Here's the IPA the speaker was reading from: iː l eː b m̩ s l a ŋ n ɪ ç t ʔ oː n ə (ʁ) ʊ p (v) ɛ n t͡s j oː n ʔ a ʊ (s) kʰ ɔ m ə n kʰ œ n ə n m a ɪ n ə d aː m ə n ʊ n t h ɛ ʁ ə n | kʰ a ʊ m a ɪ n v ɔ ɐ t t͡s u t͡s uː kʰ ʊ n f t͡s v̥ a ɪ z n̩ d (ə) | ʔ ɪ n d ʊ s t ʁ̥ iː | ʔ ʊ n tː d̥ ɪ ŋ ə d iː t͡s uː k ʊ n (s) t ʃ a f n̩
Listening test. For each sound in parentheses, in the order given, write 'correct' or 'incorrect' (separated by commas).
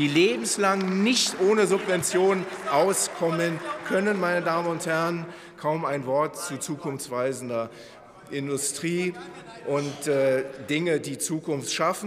incorrect, correct, correct, incorrect, incorrect